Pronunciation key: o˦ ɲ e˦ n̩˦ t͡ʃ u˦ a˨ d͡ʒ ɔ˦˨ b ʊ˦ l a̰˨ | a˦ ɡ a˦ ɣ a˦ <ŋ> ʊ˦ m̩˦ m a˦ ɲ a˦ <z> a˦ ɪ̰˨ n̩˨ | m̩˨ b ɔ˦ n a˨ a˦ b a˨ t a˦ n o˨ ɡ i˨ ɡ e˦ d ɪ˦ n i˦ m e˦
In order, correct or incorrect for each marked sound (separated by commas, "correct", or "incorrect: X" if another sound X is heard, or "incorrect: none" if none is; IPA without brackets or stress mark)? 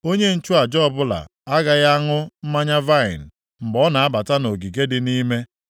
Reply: correct, incorrect: v